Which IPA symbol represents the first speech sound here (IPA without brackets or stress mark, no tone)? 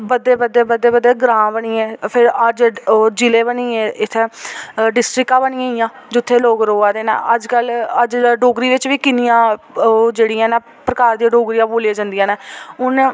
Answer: b